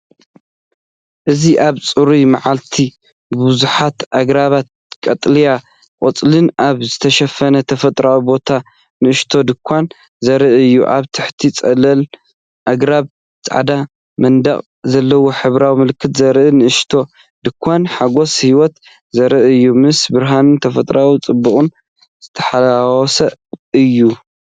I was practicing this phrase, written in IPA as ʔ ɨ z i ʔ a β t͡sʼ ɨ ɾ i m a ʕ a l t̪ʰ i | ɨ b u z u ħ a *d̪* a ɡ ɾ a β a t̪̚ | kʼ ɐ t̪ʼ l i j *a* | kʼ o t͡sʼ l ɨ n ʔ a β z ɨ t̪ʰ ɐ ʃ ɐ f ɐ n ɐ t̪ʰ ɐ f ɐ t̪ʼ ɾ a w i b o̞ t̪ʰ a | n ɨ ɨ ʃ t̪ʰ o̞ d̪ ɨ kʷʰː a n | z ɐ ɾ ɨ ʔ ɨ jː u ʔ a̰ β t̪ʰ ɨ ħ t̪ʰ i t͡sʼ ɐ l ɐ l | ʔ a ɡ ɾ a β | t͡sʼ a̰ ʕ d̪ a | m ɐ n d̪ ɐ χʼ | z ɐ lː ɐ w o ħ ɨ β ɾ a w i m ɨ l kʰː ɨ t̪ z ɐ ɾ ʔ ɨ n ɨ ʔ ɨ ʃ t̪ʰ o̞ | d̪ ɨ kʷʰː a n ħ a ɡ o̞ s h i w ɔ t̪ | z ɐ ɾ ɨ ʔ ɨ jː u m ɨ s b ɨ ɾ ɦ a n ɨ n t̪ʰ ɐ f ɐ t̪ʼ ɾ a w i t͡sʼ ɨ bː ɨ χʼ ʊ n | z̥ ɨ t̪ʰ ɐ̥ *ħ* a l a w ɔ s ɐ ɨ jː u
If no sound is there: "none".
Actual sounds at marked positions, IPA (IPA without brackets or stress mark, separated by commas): t̪, a, ħ